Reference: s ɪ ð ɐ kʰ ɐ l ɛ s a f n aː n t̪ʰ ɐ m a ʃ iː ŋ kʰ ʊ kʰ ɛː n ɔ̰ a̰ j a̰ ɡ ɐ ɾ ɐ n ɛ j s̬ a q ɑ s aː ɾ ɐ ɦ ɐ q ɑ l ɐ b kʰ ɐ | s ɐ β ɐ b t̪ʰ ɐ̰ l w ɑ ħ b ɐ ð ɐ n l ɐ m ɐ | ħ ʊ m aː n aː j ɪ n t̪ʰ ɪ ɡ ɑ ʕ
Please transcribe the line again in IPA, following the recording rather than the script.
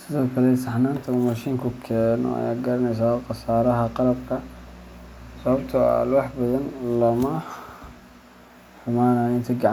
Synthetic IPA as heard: s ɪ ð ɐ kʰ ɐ l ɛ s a ħ n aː n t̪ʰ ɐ m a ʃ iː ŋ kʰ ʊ kʰ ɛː n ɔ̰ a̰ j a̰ ɡ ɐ ɾ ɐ n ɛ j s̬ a q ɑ s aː ɾ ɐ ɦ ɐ q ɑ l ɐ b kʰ ɐ | s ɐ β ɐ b t̪ʰ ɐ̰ l w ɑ ħ b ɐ ð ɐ n l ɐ m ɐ | ħ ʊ m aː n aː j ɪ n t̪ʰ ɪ ɡ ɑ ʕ